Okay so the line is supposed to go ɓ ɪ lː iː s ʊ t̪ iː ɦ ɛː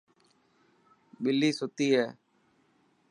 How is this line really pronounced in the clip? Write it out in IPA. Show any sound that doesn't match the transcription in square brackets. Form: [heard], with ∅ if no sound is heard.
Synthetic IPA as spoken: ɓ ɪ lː iː s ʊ t̪ iː ɦ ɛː

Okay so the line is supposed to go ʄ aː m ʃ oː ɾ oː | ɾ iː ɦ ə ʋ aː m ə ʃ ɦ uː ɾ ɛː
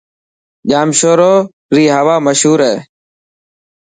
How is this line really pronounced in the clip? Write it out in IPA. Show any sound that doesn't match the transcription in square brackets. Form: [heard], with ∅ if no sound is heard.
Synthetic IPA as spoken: ʄ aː m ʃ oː ɾ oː | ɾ iː ɦ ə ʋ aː m ə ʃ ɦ uː ɾ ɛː

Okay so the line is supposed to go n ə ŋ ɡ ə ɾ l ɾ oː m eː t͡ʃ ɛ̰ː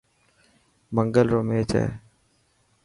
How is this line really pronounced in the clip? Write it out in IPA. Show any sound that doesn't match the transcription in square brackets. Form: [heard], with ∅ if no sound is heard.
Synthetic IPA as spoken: [m] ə ŋ ɡ ə [∅] l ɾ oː m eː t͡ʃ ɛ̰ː

